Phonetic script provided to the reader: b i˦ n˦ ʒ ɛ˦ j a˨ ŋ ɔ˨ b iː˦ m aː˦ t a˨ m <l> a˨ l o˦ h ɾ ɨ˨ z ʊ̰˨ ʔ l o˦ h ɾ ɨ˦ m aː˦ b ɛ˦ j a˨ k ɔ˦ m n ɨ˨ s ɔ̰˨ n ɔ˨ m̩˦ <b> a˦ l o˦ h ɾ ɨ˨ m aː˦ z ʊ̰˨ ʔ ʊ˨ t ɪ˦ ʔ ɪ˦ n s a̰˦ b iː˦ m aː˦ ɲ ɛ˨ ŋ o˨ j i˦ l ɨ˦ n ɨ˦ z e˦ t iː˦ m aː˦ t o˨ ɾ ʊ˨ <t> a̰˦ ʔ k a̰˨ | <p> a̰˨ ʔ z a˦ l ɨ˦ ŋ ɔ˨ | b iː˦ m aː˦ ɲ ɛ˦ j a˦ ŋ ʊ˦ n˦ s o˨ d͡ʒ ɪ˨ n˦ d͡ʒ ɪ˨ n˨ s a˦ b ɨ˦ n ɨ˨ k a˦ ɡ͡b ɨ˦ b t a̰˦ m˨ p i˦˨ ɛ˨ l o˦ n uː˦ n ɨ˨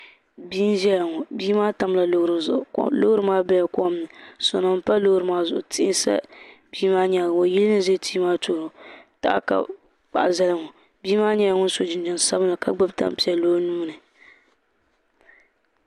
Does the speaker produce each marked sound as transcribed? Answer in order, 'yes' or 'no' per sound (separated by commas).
yes, no, yes, no